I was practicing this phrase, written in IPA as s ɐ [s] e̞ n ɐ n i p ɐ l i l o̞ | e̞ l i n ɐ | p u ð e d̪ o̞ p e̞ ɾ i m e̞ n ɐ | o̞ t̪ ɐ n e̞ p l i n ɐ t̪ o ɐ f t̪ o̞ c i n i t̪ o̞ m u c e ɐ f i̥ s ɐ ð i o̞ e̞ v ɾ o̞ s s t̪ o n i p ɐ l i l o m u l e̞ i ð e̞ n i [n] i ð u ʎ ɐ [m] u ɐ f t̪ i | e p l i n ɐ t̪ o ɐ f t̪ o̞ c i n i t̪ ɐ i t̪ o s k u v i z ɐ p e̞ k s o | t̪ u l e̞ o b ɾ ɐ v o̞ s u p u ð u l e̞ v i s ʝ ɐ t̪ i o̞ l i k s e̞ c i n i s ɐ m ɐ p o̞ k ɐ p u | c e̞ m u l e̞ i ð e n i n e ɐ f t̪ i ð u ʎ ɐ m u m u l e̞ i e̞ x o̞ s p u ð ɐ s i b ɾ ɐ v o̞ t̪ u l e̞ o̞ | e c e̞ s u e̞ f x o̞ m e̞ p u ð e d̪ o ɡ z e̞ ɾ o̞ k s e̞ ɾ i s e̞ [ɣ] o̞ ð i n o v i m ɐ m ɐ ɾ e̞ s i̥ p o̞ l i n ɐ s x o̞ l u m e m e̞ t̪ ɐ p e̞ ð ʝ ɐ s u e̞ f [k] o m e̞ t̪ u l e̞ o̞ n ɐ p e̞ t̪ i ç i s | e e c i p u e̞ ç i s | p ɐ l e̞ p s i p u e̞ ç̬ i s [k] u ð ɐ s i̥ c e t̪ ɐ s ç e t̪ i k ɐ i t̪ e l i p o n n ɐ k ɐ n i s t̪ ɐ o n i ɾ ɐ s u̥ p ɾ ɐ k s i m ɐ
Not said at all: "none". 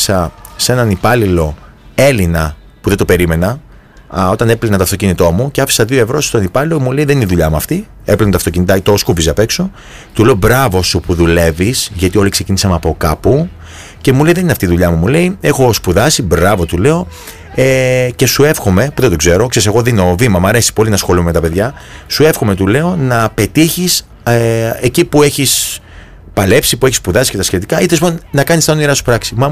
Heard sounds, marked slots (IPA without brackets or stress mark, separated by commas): s, n, m, ɣ, x, p